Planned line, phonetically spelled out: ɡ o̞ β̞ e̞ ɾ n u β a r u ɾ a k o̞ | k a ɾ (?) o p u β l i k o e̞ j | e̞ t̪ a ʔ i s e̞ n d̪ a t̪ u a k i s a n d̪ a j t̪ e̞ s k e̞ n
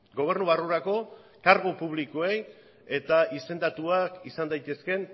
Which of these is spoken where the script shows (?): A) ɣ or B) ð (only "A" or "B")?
A